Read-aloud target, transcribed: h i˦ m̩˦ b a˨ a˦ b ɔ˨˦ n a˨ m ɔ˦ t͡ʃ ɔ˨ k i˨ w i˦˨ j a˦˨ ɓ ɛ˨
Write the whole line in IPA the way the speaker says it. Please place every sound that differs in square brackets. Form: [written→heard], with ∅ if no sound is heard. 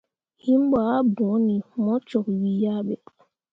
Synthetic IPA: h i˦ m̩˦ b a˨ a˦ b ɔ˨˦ n [a˨→i˨] m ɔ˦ t͡ʃ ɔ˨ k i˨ w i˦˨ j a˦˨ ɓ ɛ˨

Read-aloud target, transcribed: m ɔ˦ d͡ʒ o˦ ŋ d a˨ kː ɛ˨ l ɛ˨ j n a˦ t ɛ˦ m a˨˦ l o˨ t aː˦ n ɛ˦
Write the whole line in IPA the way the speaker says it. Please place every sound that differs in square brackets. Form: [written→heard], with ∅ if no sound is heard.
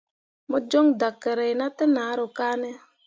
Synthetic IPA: m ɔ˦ d͡ʒ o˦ ŋ d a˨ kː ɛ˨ [l→ɾ] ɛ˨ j n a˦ t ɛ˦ [m→n] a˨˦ [l→ɾ] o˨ [t→k] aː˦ n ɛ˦

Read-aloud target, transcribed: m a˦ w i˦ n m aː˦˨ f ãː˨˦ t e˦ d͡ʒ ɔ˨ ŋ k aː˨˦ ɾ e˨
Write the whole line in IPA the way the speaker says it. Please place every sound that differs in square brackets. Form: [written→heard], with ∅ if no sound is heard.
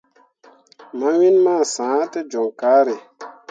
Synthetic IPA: m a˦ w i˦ n m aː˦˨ [f→s] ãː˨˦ t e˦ d͡ʒ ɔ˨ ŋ k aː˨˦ ɾ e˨

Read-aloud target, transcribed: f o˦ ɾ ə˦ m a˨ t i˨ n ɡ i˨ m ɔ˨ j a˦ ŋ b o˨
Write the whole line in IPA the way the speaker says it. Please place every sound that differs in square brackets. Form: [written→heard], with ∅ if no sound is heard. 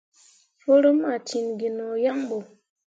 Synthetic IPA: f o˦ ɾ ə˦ m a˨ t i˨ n ɡ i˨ [m→n] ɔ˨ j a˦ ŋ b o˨

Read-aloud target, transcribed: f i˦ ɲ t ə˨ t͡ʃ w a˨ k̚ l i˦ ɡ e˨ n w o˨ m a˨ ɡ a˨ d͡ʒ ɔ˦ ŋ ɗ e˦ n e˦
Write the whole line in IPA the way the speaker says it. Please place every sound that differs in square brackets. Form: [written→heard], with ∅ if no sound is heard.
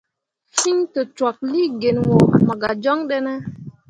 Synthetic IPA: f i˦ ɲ t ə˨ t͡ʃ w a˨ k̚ l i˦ ɡ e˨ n w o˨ m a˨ ɡ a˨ d͡ʒ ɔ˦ ŋ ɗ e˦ n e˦

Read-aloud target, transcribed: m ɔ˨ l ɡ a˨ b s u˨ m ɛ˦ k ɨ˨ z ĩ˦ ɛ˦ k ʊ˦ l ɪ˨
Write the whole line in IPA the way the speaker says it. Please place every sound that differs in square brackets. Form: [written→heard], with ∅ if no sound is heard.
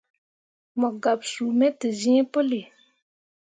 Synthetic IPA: m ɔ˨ [l→∅] ɡ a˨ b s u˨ m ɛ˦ [k→t] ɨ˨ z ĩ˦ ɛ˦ [k→p] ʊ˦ l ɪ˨

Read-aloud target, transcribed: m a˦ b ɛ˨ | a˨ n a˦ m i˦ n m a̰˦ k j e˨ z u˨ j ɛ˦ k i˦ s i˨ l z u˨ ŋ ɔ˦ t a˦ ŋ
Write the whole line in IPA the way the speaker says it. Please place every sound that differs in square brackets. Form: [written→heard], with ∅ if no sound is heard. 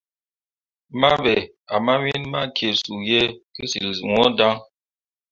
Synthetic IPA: m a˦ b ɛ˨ | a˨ [n→m] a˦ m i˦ n m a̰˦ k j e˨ [z→s] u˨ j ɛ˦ k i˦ s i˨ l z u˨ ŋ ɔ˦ [t→d] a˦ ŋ

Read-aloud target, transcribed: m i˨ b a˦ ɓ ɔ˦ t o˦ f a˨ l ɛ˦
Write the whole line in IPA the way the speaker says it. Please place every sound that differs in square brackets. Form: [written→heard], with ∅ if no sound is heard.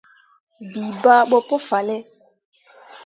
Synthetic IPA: [m→b] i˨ b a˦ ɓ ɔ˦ [t→p] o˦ f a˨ l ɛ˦

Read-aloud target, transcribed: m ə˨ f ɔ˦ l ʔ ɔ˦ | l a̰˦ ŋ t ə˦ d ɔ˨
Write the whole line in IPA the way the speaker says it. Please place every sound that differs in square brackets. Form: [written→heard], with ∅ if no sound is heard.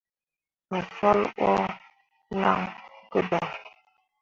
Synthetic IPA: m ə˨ f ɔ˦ l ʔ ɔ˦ | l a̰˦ ŋ [t→k] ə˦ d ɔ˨

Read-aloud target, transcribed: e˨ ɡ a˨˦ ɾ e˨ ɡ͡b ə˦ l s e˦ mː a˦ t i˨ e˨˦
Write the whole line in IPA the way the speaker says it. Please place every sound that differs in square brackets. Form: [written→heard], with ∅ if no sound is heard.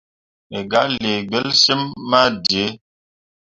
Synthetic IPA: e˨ ɡ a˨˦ [ɾ→l] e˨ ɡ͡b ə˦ l s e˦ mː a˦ [t→d] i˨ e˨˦

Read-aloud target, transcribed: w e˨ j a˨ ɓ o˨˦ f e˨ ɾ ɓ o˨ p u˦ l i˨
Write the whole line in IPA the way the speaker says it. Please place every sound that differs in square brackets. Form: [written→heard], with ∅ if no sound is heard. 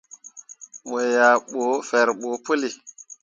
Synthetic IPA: w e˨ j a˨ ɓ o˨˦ f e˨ ɾ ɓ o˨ p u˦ l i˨

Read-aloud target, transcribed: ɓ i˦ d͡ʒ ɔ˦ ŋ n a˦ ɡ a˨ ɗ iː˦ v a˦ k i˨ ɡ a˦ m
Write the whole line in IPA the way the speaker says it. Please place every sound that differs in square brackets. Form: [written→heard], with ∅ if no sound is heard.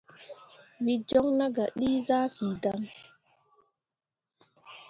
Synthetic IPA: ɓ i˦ d͡ʒ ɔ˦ ŋ n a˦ ɡ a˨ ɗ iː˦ [v→z] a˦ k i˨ [ɡ→d] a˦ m

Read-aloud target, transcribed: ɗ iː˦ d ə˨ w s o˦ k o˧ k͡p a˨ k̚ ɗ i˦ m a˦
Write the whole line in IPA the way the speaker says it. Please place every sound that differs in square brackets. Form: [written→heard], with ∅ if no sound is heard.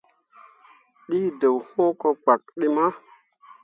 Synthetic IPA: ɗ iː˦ d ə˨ w [s→h] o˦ k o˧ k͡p a˨ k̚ ɗ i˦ m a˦

